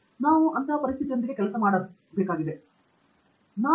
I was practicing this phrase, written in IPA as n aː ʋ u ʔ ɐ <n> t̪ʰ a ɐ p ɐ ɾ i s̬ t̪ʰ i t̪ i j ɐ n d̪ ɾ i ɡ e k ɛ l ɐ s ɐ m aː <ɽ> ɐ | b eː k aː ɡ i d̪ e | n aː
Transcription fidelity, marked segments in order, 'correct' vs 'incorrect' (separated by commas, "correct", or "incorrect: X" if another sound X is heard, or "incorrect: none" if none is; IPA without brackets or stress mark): correct, correct